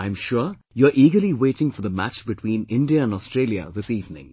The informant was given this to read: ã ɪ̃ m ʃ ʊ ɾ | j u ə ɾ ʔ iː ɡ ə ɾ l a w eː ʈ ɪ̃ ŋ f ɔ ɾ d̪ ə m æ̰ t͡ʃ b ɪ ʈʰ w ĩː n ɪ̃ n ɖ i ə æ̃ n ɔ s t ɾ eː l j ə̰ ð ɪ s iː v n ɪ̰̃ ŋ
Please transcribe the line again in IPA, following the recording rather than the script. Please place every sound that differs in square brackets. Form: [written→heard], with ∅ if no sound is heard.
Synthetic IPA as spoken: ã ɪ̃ m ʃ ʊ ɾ | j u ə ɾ ʔ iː ɡ ə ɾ l [a→i] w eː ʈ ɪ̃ ŋ f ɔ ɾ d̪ ə m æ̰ t͡ʃ b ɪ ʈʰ w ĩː n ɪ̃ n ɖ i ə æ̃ n ɔ s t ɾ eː l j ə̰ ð ɪ s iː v n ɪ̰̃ ŋ